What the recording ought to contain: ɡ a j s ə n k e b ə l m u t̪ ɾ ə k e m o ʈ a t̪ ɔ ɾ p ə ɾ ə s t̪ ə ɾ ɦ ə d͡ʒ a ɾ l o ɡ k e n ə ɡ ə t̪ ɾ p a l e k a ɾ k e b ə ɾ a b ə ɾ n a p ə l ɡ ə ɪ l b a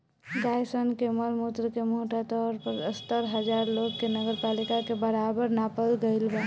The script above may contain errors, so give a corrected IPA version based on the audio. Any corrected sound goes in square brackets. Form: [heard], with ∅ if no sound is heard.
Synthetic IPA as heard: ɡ a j s ə n k e [m] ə l m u t̪ ɾ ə k e m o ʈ a t̪ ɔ ɾ p ə ɾ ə s t̪ ə ɾ ɦ ə d͡ʒ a ɾ l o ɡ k e n ə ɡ ə [∅] ɾ p a l [i] k a [∅] k e b ə ɾ a b ə ɾ n a p ə l ɡ ə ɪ l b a